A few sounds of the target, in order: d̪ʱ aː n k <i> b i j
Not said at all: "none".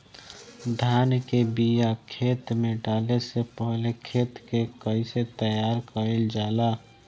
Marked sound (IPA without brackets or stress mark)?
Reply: e